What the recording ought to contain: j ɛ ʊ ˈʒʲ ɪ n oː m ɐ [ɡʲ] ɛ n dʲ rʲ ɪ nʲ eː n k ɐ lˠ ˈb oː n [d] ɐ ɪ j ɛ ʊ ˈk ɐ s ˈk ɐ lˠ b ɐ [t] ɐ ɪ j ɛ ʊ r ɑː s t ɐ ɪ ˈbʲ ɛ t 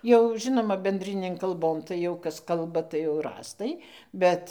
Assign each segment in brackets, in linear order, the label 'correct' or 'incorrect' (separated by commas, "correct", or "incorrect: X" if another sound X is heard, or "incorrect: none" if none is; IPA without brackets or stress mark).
incorrect: bʲ, incorrect: t, correct